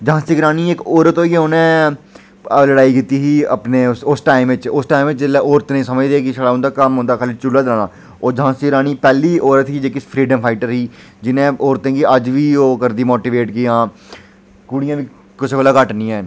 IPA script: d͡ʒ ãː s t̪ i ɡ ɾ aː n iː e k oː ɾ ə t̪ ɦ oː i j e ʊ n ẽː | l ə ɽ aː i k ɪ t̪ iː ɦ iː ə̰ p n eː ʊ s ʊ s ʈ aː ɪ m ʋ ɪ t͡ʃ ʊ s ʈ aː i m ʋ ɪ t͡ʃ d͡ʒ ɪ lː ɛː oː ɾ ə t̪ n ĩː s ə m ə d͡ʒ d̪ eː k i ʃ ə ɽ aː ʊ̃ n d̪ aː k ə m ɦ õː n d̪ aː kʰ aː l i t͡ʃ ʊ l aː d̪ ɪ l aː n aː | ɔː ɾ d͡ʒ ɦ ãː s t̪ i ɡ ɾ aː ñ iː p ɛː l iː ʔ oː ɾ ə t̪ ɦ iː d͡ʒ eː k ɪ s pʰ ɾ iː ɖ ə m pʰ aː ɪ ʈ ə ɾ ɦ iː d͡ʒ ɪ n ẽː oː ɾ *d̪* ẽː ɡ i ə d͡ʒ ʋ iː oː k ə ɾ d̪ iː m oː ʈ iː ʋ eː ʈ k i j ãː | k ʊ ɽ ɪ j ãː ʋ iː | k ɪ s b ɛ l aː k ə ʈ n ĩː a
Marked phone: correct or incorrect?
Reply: incorrect